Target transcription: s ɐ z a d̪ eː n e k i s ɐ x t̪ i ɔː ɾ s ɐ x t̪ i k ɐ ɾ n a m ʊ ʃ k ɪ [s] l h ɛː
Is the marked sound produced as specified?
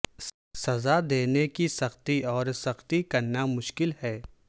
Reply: no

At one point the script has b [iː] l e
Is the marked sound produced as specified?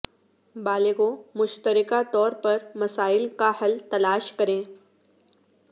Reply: no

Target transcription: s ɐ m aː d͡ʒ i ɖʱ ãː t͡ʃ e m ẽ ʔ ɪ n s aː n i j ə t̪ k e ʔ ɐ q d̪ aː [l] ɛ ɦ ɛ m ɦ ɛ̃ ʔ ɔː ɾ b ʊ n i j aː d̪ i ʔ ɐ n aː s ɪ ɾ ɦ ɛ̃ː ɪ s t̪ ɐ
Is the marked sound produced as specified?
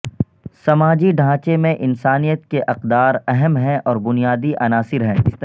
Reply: no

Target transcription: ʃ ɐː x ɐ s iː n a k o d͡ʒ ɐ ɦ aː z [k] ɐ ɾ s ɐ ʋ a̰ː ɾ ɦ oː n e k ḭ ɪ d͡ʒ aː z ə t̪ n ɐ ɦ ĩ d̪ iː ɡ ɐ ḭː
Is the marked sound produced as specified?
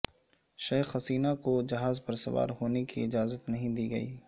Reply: no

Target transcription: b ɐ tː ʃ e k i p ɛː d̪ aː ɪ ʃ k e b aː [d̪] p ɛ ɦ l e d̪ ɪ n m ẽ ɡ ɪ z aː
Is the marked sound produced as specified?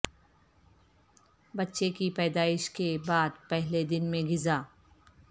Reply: yes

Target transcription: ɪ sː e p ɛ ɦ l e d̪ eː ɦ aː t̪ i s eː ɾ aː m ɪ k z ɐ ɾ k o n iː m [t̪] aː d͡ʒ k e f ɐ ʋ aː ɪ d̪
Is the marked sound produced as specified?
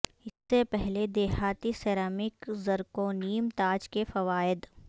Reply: yes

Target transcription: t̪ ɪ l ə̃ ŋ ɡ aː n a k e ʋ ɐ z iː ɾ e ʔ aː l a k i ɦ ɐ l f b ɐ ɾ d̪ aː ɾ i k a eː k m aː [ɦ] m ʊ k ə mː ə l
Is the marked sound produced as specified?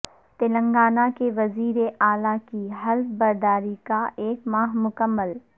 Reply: yes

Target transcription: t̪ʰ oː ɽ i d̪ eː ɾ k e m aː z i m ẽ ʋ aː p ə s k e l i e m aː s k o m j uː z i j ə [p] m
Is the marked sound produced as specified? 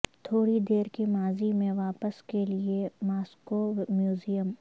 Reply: no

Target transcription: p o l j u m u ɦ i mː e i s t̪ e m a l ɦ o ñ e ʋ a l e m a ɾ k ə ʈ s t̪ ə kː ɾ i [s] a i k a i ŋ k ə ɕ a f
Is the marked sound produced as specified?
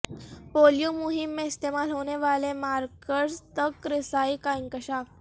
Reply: yes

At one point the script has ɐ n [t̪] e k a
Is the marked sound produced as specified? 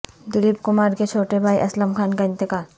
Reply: yes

